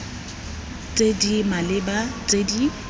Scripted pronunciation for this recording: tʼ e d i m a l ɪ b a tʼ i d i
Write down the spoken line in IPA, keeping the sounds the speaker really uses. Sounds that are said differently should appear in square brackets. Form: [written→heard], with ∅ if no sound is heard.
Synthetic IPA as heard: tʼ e d i m a l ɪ b a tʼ [i→e] d i